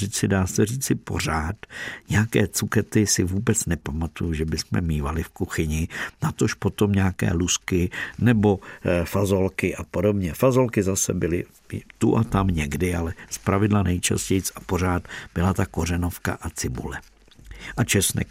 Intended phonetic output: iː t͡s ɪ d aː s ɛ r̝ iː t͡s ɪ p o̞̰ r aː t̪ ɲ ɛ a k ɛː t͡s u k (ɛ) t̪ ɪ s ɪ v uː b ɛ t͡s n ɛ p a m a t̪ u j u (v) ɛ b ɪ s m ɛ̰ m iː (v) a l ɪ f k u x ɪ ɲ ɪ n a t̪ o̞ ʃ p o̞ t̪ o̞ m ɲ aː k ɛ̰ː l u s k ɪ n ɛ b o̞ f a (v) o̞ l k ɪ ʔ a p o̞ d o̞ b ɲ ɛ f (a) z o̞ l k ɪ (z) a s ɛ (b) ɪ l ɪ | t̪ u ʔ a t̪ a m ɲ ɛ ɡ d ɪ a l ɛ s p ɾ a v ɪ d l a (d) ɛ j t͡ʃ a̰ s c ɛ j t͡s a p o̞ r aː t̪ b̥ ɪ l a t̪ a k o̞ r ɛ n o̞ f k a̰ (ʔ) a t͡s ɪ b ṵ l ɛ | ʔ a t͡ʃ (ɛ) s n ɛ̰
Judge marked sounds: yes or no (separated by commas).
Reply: yes, no, yes, no, yes, yes, yes, no, yes, yes